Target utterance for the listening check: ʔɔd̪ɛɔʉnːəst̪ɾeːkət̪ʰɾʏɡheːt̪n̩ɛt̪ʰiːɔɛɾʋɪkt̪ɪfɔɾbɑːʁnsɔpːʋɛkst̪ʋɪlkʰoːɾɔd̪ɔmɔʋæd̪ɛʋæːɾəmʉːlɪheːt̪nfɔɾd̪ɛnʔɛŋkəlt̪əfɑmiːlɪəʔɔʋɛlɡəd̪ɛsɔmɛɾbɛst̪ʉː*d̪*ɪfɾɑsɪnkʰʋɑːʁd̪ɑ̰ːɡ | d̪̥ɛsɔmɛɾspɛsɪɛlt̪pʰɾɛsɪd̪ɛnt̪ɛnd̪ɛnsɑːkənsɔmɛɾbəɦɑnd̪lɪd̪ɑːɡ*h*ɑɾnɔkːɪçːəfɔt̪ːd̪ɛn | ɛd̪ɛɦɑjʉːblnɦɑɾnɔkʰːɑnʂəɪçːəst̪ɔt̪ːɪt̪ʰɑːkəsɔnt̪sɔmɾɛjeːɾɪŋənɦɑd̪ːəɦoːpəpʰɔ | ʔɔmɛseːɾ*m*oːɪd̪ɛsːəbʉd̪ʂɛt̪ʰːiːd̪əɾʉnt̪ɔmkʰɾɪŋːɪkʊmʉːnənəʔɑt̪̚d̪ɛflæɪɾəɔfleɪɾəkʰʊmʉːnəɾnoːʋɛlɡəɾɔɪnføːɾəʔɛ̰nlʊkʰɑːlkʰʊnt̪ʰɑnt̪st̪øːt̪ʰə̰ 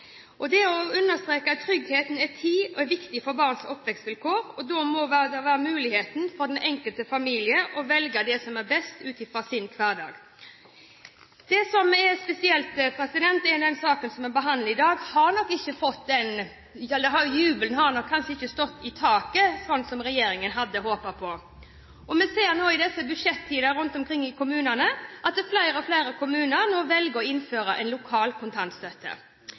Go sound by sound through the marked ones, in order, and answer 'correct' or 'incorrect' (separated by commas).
incorrect, correct, incorrect